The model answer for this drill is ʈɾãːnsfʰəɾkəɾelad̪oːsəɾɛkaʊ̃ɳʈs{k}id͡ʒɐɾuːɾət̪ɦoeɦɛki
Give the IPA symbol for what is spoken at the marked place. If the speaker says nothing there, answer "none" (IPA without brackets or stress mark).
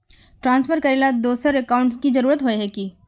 k